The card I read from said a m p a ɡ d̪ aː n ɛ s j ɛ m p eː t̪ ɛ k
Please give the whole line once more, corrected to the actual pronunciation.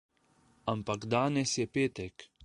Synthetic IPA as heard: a m p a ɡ d̪ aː n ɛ s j ɛ p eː t̪ ɛ k